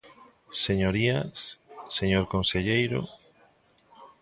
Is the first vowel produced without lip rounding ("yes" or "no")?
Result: yes